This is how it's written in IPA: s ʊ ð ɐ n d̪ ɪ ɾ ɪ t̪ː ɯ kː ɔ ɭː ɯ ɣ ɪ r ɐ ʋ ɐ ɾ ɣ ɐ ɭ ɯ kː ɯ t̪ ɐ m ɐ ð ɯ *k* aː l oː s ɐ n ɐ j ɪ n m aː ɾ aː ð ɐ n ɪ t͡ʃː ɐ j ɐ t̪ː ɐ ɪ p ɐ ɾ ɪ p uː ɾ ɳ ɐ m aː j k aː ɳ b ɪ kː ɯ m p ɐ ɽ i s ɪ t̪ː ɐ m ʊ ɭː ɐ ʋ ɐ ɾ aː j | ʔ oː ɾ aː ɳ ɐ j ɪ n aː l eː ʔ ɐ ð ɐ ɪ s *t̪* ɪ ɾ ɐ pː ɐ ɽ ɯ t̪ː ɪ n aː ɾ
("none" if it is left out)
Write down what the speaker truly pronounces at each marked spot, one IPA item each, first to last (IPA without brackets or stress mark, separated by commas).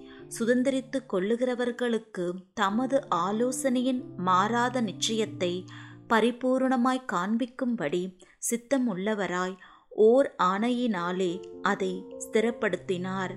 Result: ʔ, t̪